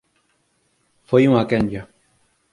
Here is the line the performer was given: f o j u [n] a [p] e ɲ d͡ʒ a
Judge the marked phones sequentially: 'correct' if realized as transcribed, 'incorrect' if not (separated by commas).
incorrect, incorrect